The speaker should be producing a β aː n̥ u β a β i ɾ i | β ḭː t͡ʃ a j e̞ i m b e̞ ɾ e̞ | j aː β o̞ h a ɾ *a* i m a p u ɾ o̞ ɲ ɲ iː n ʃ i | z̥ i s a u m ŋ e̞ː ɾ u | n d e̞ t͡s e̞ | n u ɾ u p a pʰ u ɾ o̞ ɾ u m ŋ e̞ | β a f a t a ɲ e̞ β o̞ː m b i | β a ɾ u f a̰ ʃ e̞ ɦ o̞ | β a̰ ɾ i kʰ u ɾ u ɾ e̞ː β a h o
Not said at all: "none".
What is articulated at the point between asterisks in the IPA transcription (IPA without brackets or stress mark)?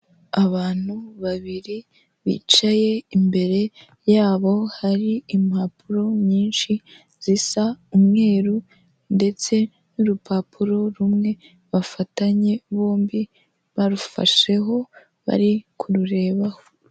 i